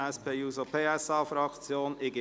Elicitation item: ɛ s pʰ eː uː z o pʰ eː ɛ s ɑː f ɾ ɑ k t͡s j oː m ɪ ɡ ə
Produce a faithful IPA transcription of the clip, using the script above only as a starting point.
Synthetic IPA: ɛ s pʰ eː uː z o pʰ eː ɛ s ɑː f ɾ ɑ k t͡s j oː n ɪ ɡ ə